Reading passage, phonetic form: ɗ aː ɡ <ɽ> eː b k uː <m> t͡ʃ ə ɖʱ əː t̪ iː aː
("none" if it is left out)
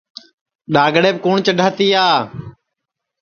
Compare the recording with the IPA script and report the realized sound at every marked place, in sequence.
ɽ, ɳ

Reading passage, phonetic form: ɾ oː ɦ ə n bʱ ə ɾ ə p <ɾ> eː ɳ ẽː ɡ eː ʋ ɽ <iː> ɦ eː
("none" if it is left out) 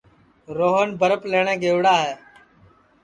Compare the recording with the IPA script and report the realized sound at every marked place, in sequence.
l, aː

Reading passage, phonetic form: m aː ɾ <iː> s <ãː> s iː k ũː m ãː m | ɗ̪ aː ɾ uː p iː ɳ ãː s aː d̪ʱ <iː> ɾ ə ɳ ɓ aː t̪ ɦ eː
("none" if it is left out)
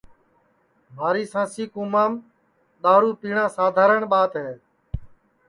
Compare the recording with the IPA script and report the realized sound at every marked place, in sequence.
iː, ãː, aː

